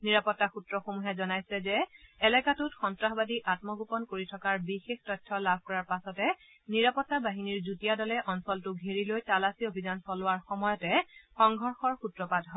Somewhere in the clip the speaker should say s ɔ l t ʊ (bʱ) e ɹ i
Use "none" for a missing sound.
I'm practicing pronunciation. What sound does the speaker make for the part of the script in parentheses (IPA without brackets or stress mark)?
ɡʱ